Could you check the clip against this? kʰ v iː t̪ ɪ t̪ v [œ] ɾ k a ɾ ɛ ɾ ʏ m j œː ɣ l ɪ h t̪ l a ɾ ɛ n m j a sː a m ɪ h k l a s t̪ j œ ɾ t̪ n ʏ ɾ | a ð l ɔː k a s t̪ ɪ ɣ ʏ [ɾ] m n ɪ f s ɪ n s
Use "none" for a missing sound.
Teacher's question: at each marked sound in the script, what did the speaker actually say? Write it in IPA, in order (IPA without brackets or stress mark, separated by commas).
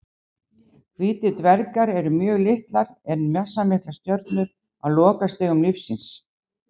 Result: ɛ, none